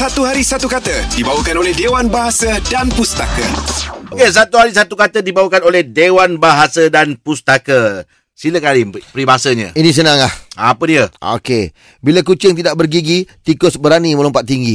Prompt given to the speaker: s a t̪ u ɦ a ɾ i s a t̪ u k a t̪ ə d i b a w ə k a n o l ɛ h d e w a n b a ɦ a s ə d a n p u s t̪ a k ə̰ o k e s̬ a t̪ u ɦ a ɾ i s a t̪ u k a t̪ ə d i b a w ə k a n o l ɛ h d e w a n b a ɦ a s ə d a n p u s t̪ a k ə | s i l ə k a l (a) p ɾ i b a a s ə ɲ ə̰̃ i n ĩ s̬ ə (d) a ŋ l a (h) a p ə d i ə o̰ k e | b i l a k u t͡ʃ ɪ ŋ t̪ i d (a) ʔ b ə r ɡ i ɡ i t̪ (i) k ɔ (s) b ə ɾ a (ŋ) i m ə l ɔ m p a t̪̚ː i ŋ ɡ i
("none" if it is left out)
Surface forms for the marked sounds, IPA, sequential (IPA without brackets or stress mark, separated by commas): i, n, h, a, i, s, n